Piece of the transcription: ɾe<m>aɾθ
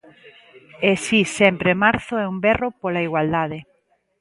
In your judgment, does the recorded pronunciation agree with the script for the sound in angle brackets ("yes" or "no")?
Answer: yes